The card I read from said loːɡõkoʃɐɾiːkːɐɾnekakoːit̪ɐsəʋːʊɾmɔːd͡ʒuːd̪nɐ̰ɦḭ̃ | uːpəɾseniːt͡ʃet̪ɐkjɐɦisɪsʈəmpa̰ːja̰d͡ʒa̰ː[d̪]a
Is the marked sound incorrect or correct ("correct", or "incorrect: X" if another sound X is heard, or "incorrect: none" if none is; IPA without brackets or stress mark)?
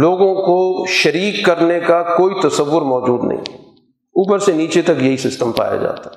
incorrect: t̪